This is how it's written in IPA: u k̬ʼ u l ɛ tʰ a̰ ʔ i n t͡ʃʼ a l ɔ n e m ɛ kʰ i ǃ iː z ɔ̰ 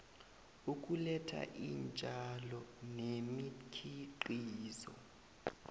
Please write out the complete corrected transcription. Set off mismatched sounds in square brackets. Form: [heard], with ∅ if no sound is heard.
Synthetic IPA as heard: u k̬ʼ u l ɛ tʰ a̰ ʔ i n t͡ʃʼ a l ɔ n e m [i] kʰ i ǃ iː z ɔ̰